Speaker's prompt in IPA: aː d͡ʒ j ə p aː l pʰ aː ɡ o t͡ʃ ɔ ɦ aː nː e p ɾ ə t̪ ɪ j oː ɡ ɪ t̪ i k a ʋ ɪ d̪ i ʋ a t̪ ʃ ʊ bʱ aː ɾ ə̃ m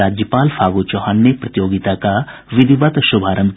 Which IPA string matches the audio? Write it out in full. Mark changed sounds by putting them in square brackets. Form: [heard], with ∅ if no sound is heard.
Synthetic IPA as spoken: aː d͡ʒ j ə p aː l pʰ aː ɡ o t͡ʃ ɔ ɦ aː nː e p ɾ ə t̪ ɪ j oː ɡ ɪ t̪ [a] k a ʋ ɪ d̪ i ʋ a t̪ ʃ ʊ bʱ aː ɾ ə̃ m